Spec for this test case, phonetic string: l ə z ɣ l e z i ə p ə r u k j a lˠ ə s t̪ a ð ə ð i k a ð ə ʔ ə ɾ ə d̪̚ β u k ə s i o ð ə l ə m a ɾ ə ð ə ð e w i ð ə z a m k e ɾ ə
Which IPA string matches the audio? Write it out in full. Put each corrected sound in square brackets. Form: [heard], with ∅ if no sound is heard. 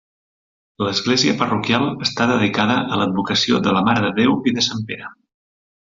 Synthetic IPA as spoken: l ə z ɣ l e z i ə p ə r u k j a lˠ ə s t̪ a ð ə ð i k a ð ə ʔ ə [l] ə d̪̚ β u k ə s i o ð ə l ə m a ɾ ə ð ə ð e w i ð ə [s] a m [p] e ɾ ə